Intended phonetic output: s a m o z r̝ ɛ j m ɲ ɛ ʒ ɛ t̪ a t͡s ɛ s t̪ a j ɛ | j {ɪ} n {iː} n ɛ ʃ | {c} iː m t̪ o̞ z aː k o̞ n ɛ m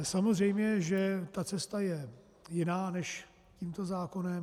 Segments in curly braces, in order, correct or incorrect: correct, incorrect: aː, correct

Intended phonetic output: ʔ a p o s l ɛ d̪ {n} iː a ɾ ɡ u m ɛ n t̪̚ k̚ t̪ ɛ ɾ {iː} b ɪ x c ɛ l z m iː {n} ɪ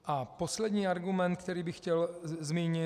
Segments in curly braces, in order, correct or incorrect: incorrect: ɲ, correct, incorrect: ɲ

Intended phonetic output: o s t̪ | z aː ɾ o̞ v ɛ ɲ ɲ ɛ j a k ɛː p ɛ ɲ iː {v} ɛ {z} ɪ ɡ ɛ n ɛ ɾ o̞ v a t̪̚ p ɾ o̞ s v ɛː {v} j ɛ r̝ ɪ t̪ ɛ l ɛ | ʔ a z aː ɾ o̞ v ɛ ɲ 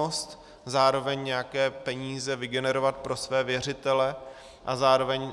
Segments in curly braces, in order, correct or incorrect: incorrect: z, incorrect: v, correct

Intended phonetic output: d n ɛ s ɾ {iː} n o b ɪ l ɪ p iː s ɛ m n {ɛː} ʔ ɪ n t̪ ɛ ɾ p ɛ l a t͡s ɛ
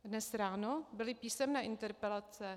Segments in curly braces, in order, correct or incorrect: incorrect: aː, correct

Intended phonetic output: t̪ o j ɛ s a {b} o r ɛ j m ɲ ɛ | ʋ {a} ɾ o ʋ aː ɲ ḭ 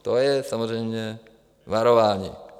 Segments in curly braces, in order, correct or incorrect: incorrect: m, correct

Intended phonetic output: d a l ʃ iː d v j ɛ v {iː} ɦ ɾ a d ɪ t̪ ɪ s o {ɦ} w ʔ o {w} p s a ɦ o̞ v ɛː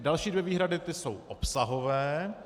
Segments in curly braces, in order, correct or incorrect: correct, incorrect: none, incorrect: none

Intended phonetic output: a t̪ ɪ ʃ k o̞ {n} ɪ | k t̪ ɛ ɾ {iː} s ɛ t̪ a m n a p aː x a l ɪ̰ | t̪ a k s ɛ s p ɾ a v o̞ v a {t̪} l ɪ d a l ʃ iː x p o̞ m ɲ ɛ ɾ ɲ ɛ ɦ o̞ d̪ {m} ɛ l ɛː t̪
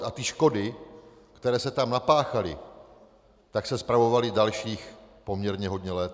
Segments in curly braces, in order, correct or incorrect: incorrect: d, incorrect: ɛː, incorrect: none, incorrect: ɲ

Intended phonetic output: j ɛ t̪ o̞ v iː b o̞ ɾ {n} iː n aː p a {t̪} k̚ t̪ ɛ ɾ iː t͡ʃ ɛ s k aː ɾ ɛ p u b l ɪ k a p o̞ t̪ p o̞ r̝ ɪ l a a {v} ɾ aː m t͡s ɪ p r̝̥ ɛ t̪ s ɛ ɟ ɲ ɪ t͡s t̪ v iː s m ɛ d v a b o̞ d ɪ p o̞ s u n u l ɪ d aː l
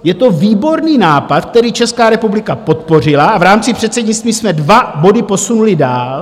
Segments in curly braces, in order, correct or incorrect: correct, correct, correct

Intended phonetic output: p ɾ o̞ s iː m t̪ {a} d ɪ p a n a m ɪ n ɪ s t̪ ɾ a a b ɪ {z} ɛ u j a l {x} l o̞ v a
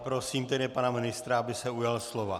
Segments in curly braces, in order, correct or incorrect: incorrect: ɛ, incorrect: s, incorrect: s

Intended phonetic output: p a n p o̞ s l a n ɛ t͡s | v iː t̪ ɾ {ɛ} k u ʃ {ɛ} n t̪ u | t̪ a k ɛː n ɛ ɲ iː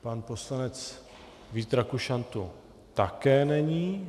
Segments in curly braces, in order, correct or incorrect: incorrect: a, incorrect: a

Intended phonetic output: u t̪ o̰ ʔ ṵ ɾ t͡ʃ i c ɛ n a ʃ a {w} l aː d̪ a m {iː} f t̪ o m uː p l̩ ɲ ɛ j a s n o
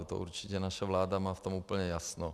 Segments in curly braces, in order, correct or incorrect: incorrect: v, incorrect: aː

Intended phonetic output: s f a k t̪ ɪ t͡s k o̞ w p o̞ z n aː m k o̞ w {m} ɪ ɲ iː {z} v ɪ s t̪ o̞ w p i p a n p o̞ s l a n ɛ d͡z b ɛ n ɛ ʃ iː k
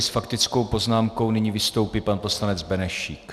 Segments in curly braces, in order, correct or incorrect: incorrect: n, incorrect: none

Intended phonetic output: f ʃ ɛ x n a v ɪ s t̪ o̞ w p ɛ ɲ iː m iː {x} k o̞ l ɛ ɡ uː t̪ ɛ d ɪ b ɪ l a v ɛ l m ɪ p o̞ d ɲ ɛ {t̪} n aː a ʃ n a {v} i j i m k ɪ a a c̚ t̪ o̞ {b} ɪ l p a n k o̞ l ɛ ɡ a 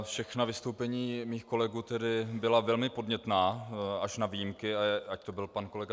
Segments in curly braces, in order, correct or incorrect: correct, correct, correct, correct

